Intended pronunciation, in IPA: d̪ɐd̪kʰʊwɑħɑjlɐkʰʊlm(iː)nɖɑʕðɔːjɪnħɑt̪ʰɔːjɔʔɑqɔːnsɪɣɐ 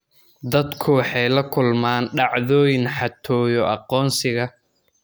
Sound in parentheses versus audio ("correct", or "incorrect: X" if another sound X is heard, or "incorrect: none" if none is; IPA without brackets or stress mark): incorrect: aː